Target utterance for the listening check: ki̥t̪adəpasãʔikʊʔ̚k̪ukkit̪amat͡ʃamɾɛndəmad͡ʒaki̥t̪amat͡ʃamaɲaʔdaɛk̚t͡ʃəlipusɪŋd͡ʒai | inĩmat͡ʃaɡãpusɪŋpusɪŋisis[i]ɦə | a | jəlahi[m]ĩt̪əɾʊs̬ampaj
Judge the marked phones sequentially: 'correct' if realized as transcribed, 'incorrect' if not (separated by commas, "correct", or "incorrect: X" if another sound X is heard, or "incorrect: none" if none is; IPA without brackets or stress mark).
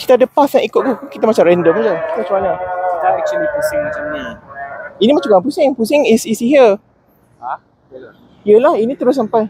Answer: correct, incorrect: n